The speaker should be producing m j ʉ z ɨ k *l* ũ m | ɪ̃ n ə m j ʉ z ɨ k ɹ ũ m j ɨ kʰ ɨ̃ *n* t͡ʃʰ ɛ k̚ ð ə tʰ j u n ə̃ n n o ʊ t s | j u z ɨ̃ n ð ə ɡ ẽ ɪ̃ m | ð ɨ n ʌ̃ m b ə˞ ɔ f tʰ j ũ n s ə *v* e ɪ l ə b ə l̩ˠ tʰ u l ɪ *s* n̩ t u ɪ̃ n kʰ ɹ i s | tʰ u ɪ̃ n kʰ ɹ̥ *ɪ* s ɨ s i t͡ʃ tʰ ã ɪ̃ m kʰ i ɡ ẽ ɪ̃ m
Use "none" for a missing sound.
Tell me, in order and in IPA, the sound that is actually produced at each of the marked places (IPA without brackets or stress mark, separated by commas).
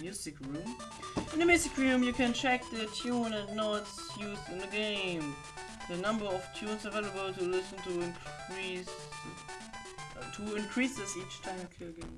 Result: ɹ, n, v, s, i